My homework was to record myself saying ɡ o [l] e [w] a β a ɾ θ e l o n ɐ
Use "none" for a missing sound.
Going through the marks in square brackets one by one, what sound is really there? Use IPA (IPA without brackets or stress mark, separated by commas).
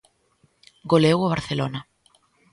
l, w